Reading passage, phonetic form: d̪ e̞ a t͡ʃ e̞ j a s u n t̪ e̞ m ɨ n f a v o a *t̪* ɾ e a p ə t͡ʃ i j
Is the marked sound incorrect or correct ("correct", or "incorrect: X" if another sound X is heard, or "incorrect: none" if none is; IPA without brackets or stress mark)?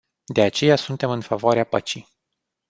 incorrect: none